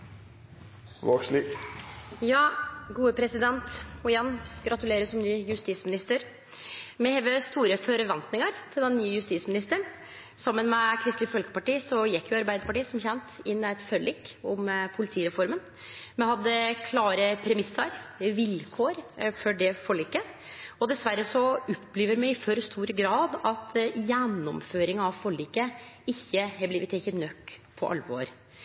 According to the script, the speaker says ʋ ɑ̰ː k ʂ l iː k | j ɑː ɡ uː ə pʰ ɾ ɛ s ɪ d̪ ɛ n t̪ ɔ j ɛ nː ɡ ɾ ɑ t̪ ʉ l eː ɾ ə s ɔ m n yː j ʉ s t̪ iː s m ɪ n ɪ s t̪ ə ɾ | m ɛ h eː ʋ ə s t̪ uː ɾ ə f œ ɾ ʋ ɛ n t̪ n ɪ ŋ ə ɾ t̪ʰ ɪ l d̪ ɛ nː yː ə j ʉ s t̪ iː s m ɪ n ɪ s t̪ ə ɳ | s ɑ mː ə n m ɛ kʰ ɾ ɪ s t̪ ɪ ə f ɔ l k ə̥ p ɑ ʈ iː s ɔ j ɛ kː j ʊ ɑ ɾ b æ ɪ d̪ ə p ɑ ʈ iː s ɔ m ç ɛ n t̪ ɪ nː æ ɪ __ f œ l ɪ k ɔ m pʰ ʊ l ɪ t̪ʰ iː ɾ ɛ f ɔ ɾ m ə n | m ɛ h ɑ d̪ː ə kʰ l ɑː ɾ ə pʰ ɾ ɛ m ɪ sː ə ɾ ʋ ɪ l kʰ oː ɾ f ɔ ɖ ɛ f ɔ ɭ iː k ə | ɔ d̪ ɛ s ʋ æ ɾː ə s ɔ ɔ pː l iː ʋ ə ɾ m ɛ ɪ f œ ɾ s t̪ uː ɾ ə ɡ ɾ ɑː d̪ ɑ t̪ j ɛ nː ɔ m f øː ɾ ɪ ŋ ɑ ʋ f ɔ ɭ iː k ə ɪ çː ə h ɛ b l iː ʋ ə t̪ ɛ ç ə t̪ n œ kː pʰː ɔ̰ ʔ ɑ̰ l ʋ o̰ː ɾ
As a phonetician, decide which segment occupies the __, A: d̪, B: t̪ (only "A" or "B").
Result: B